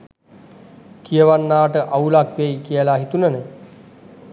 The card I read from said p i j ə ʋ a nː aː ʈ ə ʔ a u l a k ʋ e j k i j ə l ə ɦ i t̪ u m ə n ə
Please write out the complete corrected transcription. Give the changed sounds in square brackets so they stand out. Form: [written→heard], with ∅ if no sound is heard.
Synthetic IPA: [p→k] i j ə ʋ a nː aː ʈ ə ʔ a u l a k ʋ e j k i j ə l [ə→a] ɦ i t̪ u [m→n] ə n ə